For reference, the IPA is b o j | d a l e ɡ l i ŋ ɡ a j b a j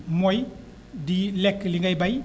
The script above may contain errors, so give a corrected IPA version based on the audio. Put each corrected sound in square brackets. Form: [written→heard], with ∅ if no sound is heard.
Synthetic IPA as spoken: [b→m] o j | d [a→i] l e [ɡ→k] l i ŋ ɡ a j b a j